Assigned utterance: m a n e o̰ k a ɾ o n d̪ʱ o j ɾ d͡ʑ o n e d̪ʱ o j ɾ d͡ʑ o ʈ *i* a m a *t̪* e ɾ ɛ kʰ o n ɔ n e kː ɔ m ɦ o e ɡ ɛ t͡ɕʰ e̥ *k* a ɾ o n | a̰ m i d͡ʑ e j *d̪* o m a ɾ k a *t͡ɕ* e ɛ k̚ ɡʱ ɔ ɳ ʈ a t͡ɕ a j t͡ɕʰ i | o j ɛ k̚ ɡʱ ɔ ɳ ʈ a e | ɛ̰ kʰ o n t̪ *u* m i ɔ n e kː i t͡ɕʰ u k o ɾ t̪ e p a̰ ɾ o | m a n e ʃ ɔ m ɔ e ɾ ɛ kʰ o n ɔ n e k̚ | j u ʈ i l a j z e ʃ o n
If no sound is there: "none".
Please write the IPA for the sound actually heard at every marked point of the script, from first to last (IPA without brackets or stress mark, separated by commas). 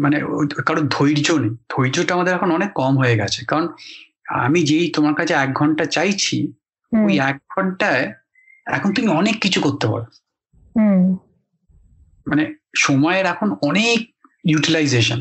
a, d̪, k, t̪, t͡ɕʰ, u